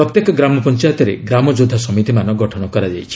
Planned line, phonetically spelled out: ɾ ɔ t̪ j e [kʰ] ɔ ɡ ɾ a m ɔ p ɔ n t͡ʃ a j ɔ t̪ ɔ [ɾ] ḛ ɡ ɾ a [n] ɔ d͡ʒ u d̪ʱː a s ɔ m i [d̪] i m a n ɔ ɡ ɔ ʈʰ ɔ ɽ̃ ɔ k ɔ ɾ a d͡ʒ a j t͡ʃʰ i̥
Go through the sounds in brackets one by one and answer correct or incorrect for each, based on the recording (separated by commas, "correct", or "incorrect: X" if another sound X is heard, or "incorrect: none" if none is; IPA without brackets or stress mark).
incorrect: k, correct, incorrect: m, incorrect: t̪